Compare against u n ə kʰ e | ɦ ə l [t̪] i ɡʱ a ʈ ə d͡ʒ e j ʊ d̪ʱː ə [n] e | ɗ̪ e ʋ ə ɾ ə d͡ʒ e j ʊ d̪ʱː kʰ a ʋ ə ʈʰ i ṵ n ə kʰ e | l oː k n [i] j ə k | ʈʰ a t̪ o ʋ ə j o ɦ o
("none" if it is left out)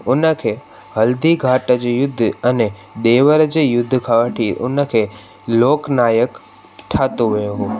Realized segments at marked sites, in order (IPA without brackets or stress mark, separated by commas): d̪, n, a